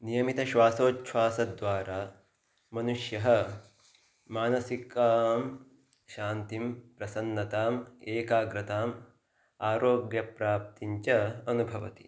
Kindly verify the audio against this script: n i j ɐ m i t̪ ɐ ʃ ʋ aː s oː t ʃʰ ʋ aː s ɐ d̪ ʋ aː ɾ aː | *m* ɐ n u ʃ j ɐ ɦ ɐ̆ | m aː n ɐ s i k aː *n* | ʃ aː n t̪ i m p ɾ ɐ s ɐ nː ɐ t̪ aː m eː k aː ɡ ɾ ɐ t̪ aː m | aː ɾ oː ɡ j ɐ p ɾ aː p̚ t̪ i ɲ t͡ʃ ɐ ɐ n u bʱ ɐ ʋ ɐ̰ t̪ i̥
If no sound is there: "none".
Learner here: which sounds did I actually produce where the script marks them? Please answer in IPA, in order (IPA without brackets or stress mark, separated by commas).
m, m